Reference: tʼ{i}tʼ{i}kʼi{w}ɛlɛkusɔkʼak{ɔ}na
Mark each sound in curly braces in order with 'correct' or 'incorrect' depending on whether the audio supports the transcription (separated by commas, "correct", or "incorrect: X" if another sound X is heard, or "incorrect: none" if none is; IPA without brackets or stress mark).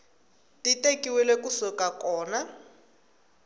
correct, incorrect: e, correct, incorrect: ɔː